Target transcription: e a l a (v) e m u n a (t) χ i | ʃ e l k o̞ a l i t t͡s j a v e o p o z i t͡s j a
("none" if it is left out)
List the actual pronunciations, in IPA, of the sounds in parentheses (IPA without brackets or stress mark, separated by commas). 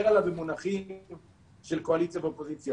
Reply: v, none